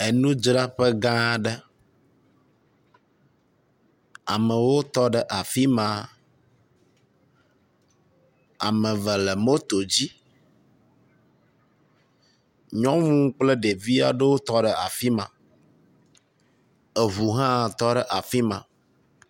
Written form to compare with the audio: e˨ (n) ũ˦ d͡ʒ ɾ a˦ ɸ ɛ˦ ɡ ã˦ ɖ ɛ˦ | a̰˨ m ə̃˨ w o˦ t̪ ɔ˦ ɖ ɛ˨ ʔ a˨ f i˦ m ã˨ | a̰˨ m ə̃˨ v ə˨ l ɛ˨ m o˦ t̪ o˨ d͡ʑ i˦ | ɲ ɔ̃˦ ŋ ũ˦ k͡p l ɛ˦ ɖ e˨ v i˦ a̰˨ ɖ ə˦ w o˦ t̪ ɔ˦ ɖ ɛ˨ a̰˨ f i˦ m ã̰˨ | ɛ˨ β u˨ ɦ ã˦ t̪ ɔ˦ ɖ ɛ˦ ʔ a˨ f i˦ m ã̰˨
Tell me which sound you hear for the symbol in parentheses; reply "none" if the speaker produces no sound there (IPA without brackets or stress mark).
n